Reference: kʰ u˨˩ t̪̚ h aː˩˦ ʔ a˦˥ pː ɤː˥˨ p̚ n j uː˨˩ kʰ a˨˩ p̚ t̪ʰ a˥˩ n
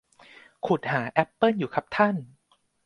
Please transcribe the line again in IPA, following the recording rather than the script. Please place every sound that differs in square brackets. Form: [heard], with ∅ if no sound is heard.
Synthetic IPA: kʰ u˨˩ t̪̚ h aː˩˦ ʔ [ɛ˦˥] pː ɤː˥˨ [∅] n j uː˨˩ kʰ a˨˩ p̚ t̪ʰ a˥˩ n